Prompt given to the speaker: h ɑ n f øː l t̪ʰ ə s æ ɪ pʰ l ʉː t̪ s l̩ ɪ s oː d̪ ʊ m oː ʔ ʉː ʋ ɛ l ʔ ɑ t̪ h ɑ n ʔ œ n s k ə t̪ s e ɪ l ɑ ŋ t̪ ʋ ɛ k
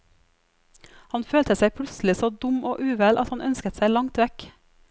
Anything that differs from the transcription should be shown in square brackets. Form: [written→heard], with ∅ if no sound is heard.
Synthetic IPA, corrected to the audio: h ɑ n f øː l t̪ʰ ə s æ ɪ pʰ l [ʉː→ʉ] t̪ s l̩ ɪ s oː d̪ ʊ m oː ʔ ʉː ʋ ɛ l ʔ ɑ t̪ h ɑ n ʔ œ n s k ə t̪ s [e→æ] ɪ l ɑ ŋ t̪ ʋ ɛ k